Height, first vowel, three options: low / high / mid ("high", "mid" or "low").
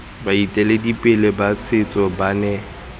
low